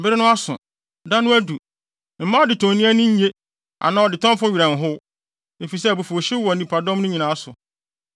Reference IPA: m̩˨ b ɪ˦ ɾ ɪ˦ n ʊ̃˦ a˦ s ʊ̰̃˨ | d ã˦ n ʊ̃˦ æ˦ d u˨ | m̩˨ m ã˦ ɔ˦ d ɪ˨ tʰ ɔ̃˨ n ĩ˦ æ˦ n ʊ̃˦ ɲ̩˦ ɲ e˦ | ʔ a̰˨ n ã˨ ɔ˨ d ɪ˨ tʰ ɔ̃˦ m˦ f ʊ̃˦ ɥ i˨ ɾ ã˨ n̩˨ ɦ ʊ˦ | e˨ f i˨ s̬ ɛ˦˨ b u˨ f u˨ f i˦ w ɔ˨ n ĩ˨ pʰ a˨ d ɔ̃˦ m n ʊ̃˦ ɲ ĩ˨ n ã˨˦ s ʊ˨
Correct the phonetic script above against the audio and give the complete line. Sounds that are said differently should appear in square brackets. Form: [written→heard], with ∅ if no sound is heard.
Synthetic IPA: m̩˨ b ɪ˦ ɾ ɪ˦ n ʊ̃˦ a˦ s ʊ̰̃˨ | d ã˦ n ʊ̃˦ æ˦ d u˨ | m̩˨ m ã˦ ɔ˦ d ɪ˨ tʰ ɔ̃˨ n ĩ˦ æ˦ n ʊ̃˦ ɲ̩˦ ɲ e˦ | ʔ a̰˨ n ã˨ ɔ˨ d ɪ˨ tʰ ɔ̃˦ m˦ f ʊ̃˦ ɥ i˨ ɾ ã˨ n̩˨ ɦ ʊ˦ | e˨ f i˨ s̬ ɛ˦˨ b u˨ f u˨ [f→ɕ] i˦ w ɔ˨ n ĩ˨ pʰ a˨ d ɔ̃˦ m n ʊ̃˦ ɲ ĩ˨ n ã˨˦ s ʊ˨